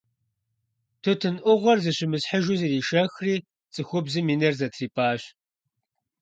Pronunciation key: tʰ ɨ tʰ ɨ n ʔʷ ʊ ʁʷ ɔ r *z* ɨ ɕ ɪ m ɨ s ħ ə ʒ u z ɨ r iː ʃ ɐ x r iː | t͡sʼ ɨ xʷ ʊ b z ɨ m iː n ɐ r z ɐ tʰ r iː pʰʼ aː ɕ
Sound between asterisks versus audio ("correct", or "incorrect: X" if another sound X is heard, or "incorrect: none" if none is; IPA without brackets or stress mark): correct